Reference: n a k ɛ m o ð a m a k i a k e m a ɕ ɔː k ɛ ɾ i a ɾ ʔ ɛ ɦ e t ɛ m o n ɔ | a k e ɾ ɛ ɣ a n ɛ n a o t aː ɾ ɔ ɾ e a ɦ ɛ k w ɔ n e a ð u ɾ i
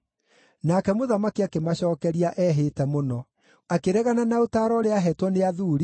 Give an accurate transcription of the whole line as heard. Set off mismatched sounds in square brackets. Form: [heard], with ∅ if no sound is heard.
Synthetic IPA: n a k ɛ m o ð a m a k i a k e m a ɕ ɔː k ɛ ɾ i a [∅] ʔ ɛ ɦ e t ɛ m o n ɔ | a k e ɾ ɛ ɣ a n [a] n a o t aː ɾ ɔ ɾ e a ɦ ɛ [t] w ɔ n e a ð u ɾ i